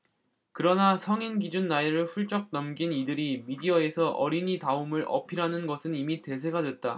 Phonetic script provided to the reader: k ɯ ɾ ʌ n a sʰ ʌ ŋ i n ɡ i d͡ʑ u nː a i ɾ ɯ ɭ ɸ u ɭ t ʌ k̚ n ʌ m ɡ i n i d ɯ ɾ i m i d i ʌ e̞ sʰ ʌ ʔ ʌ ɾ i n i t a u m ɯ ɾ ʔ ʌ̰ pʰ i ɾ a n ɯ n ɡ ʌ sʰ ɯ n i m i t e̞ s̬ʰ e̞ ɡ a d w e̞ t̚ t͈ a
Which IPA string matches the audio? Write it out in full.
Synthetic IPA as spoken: k ɯ ɾ ʌ n a sʰ ʌ ŋ i n ɡ i d͡ʑ u nː a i ɾ ɯ ɭ ɸ u ɭ t͡ɕ͈ ʌ k̚ n ʌ m ɡ i n i d ɯ ɾ i m i d i ʌ e̞ sʰ ʌ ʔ ʌ ɾ i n i t a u m ɯ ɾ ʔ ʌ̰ pʰ i ɾ a n ɯ n ɡ ʌ sʰ ɯ n i m i t e̞ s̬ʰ e̞ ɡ a d w e̞ t̚ t͈ a

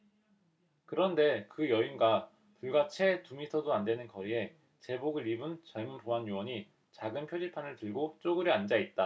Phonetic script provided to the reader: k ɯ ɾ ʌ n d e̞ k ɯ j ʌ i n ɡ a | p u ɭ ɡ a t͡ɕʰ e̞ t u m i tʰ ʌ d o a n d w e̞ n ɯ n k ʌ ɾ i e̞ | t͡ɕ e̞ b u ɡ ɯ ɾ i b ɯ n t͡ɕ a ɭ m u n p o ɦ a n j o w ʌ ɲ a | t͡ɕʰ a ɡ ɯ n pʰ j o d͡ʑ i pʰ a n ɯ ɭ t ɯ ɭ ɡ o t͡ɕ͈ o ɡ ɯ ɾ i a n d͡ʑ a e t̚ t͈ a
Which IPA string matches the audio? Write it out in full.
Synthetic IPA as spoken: k ɯ ɾ ʌ n d e̞ k ɯ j ʌ i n ɡ a | p u ɭ ɡ a t͡ɕʰ e̞ t u m i tʰ ʌ d o a n d w e̞ n ɯ n k ʌ ɾ i e̞ | t͡ɕ e̞ b o ɡ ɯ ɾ i b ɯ n t͡ɕ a ɭ m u n p o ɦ a n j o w ʌ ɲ i | t͡ɕ a ɡ ɯ n pʰ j o d͡ʑ i pʰ a n ɯ ɭ t ɯ ɭ ɡ o t͡ɕ͈ o ɡ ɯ ɾ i a n d͡ʑ a i t̚ t͈ a

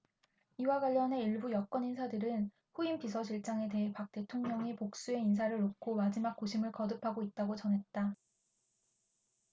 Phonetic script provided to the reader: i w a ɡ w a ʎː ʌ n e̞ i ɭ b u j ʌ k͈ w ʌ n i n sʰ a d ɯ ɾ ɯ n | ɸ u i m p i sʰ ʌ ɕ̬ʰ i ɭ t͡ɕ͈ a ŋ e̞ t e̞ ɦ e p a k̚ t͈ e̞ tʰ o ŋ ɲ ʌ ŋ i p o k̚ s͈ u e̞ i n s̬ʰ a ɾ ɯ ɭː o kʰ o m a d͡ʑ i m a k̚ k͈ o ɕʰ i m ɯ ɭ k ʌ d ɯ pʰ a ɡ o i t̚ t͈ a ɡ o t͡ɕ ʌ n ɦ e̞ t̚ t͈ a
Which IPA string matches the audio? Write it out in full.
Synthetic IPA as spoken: i w a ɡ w a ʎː ʌ n e̞ i ɭ b u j ʌ k͈ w ʌ n i n sʰ a d ɯ ɾ ɯ n | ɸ u i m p i sʰ ʌ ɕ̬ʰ i ɭ t͡ɕ͈ a ŋ e̞ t e̞ ɦ e p a k̚ t͈ e̞ tʰ o ŋ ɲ ʌ ŋ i p o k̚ s͈ u e̞ i n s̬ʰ a ɾ ɯ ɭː o kʰ o m a d͡ʑ i m a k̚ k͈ o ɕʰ i m ɯ ɭ k ʌ d ɯ pʰ a ɡ o i t̚ t͈ a ɡ o t͡ɕ ʌ n ɦ e̞ t̚ t͈ a

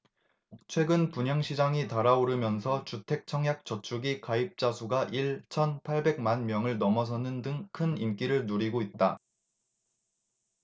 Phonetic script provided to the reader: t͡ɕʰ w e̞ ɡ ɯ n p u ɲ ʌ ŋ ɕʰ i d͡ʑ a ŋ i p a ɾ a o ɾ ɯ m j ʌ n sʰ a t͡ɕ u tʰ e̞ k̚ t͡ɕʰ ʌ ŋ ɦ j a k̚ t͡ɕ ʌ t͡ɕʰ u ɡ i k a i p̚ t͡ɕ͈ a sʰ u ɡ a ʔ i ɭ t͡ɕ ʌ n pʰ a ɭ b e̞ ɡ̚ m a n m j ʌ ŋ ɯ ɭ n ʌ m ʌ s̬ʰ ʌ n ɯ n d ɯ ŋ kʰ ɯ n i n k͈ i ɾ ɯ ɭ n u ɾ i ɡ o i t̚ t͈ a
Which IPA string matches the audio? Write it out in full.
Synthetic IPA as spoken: t͡ɕʰ w e̞ ɡ ɯ n p u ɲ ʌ ŋ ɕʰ i d͡ʑ a ŋ i t a ɾ a o ɾ ɯ m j ʌ n sʰ ʌ t͡ɕ u tʰ e̞ k̚ t͡ɕʰ ʌ ŋ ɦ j a k̚ t͡ɕ ʌ t͡ɕʰ u ɡ i k a i p̚ t͡ɕ͈ a sʰ u ɡ a ʔ i ɭ t͡ɕʰ ʌ n pʰ a ɭ b e̞ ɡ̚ m a n m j ʌ ŋ ɯ ɭ n ʌ m ʌ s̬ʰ ʌ n ɯ n d ɯ ŋ kʰ ɯ n i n k͈ i ɾ ɯ ɭ n u ɾ i ɡ o i t̚ t͈ a

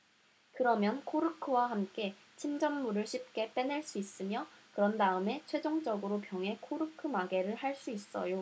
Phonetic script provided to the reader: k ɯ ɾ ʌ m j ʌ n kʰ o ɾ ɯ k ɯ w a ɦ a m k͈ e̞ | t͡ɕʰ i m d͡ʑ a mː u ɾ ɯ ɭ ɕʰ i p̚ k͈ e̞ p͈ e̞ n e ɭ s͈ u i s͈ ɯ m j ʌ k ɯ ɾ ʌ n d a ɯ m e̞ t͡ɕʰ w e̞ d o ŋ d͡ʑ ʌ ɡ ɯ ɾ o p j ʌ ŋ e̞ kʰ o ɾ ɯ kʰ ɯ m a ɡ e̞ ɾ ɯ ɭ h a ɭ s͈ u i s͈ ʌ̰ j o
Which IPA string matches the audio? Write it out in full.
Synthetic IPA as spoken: k ɯ ɾ ʌ m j ʌ n kʰ o ɾ ɯ kʰ ɯ w a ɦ a m k͈ e̞ | t͡ɕʰ i m d͡ʑ ʌ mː u ɾ ɯ ɭ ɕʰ i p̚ k͈ e̞ p͈ e̞ n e ɭ s͈ u i s͈ ɯ m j ʌ k ɯ ɾ ʌ n d a ɯ m e̞ t͡ɕʰ w e̞ d͡ʑ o ŋ d͡ʑ ʌ ɡ ɯ ɾ o p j ʌ ŋ e̞ kʰ o ɾ ɯ kʰ ɯ m a ɡ e̞ ɾ ɯ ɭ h a ɭ s͈ u i s͈ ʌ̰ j o

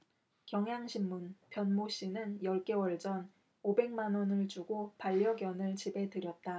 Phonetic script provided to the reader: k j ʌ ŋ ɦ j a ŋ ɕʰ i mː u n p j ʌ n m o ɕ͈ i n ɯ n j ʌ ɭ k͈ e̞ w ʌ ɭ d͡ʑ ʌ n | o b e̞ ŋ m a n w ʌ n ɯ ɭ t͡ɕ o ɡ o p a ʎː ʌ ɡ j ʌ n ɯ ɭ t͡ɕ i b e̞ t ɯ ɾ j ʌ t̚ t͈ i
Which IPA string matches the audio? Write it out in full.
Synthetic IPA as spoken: k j ʌ ŋ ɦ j a ŋ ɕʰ i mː u n p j ʌ n m o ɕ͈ i n ɯ n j ʌ ɭ k͈ e̞ w ʌ ɭ d͡ʑ ʌ n | o b e̞ ŋ m a n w ʌ n ɯ ɭ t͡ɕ u ɡ o p a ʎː ʌ ɡ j ʌ n ɯ ɭ t͡ɕ i b e̞ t ɯ ɾ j ʌ t̚ t͈ a

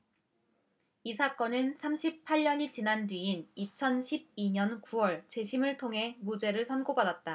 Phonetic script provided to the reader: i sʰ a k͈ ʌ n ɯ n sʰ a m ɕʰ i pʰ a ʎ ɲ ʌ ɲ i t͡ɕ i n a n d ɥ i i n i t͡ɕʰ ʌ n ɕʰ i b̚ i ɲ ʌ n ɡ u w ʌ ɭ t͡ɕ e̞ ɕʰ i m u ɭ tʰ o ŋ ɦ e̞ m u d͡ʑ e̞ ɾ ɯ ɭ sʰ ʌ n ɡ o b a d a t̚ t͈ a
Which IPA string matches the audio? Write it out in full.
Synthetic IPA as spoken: i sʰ a k͈ ʌ n ɯ n sʰ a m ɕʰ i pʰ a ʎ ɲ ʌ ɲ i t͡ɕ i n a n d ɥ i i n i t͡ɕʰ ʌ n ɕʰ i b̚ i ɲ ʌ n k u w ʌ ɭ t͡ɕ e̞ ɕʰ i m ɯ ɭ tʰ o ŋ ɦ e̞ m u d͡ʑ e̞ ɾ ɯ ɭ sʰ ʌ n ɡ o b a d a t̚ t͈ a

